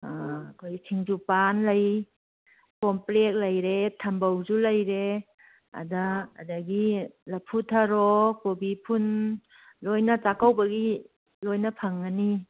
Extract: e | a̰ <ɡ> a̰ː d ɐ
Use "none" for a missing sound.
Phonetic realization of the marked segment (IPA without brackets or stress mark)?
d